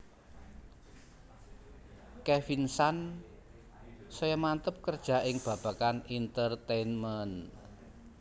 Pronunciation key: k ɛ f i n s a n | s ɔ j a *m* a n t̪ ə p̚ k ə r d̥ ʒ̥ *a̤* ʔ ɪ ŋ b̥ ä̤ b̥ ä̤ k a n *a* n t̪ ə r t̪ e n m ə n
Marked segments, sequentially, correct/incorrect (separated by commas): correct, correct, incorrect